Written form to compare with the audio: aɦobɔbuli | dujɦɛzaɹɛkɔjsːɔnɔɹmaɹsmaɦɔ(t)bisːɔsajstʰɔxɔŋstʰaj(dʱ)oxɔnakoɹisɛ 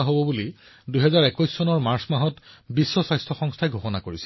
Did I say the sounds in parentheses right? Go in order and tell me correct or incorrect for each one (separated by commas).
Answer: correct, incorrect